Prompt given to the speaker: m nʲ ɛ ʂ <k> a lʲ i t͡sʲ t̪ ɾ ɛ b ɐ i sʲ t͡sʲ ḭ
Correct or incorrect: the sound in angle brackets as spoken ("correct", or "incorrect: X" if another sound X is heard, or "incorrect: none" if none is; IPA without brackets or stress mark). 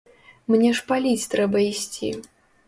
incorrect: p